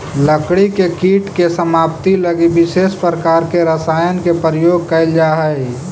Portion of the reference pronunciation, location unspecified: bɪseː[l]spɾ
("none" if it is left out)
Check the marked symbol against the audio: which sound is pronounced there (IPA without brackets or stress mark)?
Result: none